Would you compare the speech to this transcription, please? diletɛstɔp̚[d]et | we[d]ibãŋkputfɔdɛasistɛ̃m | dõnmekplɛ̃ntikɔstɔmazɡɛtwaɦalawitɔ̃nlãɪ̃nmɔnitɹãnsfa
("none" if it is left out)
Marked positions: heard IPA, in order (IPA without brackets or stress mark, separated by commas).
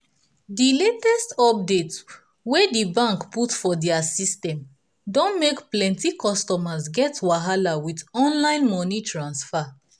d, d